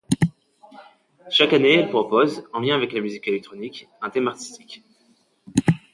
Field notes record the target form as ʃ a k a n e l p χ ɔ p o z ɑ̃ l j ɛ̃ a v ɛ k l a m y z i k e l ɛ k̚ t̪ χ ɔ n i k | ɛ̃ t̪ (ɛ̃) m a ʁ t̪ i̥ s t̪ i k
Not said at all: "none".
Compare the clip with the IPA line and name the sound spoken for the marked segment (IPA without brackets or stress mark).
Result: ɛ